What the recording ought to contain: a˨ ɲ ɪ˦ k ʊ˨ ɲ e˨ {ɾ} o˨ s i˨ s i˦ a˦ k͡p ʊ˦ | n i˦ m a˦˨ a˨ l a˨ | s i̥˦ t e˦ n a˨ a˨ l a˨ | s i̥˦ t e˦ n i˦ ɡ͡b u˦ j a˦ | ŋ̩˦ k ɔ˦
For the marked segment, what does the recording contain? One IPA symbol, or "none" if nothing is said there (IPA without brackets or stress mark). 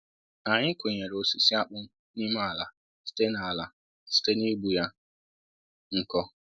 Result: ɾ